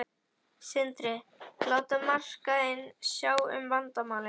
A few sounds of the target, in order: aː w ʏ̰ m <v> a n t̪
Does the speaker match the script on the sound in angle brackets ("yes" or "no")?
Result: yes